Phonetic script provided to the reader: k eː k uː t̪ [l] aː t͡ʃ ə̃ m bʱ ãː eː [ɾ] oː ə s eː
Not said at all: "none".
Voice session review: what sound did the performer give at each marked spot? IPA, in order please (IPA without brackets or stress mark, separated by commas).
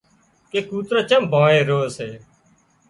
ɾ, ɾ